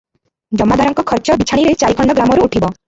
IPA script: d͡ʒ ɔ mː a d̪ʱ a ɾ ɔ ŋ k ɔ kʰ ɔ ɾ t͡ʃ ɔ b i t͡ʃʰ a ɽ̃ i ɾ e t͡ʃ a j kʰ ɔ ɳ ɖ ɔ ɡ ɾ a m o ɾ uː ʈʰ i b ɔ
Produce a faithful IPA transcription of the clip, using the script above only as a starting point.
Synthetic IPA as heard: d͡ʒ ɔ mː a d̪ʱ a ɾ ɔ ŋ k ɔ kʰ ɔ ɾ t͡ʃ ɔ b i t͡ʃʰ a ɽ̃ i ɾ e t͡ʃ a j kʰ ɔ ɳ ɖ ɔ ɡ ɾ a m ɔ ɾ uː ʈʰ i b ɔ